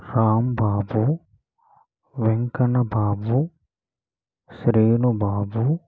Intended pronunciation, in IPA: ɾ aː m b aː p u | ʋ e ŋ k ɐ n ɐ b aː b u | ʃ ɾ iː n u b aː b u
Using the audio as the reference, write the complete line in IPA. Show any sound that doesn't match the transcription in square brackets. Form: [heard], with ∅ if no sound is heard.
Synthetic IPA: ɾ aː m b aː [b] u | ʋ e ŋ k ɐ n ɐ b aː b u | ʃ ɾ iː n u b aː b u